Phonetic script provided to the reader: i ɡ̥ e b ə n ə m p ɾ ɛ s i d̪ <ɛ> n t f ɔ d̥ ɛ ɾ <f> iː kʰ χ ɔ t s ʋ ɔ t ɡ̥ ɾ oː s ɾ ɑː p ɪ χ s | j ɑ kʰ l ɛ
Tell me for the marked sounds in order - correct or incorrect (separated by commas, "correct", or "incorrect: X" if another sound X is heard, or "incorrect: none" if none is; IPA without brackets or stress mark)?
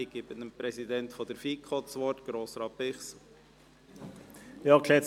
correct, correct